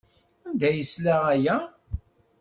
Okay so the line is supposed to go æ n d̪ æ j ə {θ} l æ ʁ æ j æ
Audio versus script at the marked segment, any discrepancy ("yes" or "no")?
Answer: yes